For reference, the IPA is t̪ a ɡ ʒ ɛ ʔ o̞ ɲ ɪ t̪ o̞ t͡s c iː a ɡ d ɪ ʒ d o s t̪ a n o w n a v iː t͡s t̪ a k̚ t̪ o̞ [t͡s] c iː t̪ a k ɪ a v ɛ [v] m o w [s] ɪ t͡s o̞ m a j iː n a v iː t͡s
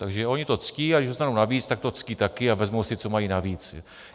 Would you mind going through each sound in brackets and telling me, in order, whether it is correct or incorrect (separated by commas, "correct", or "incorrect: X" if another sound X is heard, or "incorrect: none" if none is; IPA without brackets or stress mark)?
correct, incorrect: z, correct